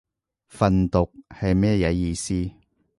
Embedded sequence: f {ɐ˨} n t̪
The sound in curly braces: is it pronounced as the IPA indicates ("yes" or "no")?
yes